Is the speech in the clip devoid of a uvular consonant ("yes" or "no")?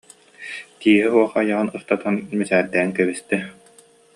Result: no